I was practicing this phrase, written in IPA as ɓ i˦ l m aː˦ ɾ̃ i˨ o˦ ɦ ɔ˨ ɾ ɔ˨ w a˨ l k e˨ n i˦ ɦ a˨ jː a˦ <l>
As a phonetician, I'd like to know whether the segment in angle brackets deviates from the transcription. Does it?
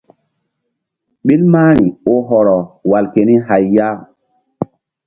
yes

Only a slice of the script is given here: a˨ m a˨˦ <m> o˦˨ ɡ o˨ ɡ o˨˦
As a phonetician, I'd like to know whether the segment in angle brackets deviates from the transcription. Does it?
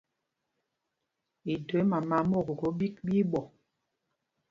no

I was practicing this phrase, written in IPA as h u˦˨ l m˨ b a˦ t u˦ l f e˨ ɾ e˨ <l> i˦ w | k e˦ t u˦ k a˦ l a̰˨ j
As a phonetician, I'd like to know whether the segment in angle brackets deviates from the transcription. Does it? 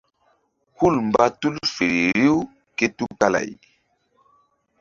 yes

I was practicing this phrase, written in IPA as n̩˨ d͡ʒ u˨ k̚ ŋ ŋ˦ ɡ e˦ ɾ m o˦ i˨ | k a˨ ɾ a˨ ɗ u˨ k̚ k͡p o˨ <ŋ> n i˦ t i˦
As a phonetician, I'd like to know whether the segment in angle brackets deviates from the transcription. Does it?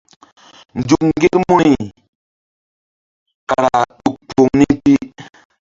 no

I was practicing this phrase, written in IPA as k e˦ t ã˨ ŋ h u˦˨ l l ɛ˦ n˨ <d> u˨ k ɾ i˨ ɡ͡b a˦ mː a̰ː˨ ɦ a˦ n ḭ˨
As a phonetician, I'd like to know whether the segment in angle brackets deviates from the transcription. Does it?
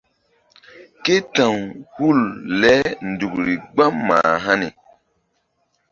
no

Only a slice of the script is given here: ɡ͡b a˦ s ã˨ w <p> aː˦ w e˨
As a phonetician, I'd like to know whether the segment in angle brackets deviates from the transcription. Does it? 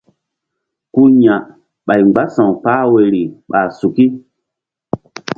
no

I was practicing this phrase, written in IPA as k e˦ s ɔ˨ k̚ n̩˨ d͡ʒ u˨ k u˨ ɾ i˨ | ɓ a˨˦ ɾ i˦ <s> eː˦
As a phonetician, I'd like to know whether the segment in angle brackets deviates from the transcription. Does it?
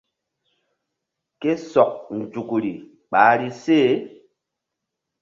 no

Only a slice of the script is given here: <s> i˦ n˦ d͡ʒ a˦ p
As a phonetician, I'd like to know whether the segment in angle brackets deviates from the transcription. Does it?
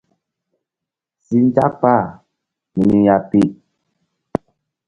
no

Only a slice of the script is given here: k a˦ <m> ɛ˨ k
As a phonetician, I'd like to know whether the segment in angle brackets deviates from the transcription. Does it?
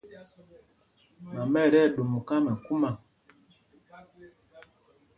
no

